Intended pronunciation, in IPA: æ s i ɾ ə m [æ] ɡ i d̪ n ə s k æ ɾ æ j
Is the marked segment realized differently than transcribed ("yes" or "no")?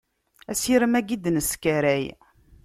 no